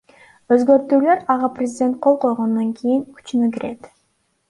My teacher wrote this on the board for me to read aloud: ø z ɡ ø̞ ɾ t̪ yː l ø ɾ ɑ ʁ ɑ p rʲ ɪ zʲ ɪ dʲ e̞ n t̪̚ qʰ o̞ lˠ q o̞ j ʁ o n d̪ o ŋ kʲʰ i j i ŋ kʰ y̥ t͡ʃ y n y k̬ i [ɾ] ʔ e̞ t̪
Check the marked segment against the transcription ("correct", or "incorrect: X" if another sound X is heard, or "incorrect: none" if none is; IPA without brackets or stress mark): correct